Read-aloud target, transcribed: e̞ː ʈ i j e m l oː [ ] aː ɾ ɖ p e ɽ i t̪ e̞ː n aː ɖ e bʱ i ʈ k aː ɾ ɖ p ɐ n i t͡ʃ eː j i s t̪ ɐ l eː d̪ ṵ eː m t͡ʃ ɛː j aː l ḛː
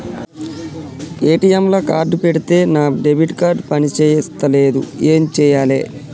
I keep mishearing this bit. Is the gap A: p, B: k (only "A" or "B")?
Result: B